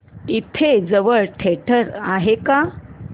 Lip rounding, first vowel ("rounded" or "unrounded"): unrounded